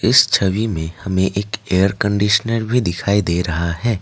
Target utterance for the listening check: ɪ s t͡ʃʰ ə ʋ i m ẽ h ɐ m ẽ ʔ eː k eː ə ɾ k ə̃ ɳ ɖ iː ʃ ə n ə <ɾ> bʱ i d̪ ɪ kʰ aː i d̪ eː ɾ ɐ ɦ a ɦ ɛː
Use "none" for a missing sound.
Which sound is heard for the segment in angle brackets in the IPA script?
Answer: ɾ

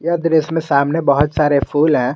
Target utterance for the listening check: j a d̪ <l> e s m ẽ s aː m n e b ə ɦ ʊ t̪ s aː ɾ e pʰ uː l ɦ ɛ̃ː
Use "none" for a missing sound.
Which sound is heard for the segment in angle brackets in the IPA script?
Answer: ɾ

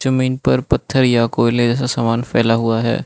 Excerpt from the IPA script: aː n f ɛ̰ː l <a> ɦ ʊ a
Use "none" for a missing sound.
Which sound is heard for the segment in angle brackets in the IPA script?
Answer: a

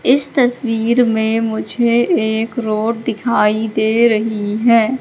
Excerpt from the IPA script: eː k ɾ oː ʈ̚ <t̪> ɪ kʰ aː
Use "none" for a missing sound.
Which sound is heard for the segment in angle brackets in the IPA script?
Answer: d̪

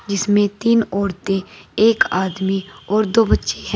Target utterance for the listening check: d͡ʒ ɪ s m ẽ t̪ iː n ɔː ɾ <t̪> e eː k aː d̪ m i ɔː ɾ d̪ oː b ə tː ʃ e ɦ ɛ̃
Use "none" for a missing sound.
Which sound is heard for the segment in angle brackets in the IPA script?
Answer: t̪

